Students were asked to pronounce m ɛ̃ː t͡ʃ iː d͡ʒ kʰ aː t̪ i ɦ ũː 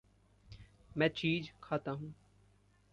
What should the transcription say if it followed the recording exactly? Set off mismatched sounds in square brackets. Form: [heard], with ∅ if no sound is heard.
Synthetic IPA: m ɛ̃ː t͡ʃ iː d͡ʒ kʰ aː t̪ [a] ɦ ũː

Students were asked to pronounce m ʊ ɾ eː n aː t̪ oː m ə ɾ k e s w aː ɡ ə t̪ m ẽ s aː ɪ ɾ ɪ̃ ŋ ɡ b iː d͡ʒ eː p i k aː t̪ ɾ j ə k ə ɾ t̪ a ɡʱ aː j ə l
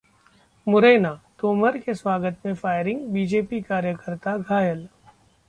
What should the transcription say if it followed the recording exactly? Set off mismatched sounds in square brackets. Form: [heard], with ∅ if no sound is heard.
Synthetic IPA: m ʊ ɾ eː n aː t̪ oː m ə ɾ k e s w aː ɡ ə t̪ m ẽ [f] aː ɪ ɾ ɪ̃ ŋ ɡ b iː d͡ʒ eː p i k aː [∅] ɾ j ə k ə ɾ t̪ a ɡʱ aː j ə l

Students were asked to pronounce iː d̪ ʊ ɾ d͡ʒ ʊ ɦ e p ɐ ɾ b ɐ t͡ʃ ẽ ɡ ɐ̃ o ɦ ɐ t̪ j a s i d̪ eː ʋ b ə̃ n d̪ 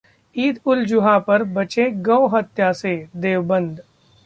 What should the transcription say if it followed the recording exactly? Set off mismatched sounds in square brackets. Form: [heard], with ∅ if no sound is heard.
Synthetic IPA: iː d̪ ʊ [l] d͡ʒ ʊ ɦ [a] p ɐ ɾ b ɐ t͡ʃ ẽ ɡ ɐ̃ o ɦ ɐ t̪ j a s [e] d̪ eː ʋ b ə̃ n d̪

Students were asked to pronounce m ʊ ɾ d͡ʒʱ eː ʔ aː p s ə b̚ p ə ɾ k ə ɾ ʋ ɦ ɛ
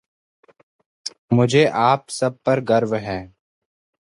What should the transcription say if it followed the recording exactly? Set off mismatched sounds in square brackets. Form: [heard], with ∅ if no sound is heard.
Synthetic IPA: m ʊ [∅] d͡ʒʱ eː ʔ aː p s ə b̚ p ə ɾ [ɡ] ə ɾ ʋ ɦ [ɛː]

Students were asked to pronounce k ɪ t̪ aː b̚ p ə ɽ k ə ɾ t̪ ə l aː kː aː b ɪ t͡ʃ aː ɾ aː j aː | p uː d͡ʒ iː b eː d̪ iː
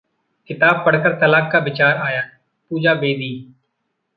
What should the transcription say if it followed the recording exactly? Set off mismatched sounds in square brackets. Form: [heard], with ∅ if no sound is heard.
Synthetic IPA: k ɪ t̪ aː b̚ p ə ɽ k ə ɾ t̪ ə l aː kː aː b ɪ t͡ʃ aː ɾ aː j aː | p uː d͡ʒ [aː] b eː d̪ iː

